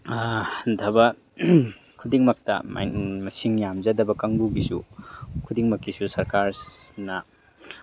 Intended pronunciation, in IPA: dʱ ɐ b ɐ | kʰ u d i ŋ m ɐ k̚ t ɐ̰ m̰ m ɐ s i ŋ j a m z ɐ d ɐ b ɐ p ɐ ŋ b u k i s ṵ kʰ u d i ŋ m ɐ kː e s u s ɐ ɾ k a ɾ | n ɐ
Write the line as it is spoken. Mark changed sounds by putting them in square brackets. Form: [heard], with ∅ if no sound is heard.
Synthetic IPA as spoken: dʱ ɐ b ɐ | kʰ u d i ŋ m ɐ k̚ t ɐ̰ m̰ m ɐ s i ŋ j a m z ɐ d ɐ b ɐ [k] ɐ ŋ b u [ɡ] i s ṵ kʰ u d i ŋ m ɐ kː [i] s u s ɐ ɾ k a ɾ | n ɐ

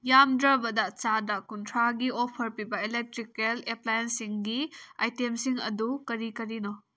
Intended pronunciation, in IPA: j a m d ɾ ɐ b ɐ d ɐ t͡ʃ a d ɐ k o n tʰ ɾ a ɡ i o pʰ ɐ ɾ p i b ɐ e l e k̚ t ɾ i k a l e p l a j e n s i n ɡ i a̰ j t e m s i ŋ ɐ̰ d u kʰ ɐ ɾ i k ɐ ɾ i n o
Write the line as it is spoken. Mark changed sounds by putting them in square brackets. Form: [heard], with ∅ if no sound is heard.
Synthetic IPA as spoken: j a m d ɾ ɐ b ɐ d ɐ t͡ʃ a d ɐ k [u] n tʰ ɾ a ɡ i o pʰ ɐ ɾ p i b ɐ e l e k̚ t ɾ i k [e] l e p l a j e n s i [ŋ] ɡ i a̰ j t e m s i ŋ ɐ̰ d u [k] ɐ ɾ i k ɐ ɾ i n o

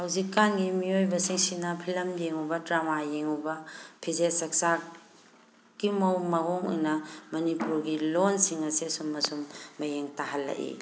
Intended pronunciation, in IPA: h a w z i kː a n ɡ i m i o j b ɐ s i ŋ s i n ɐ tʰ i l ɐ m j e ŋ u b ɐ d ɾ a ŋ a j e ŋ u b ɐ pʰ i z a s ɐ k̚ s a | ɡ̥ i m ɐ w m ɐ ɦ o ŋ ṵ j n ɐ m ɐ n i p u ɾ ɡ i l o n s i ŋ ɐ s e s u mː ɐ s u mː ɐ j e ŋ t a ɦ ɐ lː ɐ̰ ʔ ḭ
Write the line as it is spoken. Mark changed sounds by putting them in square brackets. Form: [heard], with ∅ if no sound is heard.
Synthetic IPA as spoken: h a w z i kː a n ɡ i m i o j b ɐ s i ŋ s i n ɐ [pʰ] i l ɐ m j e ŋ u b ɐ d ɾ a [m] a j e ŋ u b ɐ pʰ i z [e] s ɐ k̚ s a | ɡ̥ i m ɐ w m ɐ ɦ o ŋ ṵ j n ɐ m ɐ n i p u ɾ ɡ i l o n s i ŋ ɐ s e s u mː ɐ s u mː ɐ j e ŋ t a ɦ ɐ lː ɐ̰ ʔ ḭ

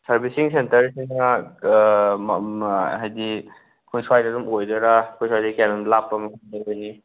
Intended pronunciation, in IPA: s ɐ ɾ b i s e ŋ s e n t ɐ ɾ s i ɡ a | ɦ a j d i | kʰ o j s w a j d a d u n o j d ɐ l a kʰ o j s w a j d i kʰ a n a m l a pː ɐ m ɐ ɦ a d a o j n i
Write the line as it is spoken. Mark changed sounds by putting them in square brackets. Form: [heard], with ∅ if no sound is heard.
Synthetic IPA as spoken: s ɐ ɾ b i s [i] ŋ s e n t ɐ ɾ s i [ŋ] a | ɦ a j d i | kʰ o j s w a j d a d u [m] o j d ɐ [ɾ] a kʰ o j s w a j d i [k] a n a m l a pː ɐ m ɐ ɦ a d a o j n i

